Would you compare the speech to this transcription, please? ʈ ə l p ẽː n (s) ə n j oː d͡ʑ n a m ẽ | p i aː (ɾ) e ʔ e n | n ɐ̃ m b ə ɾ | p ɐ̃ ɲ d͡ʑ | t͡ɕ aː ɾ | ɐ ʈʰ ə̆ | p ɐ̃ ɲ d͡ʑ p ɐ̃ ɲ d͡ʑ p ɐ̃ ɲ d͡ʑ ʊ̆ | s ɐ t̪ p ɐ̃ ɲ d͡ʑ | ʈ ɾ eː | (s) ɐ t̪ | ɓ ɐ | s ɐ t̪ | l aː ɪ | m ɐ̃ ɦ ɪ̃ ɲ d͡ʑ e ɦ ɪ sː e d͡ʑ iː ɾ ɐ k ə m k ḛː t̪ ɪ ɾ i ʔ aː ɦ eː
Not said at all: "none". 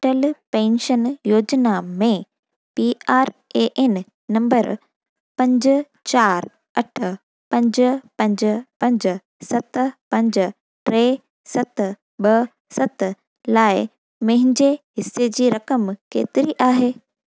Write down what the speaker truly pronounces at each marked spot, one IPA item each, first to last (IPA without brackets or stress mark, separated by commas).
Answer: ʃ, ɾ, s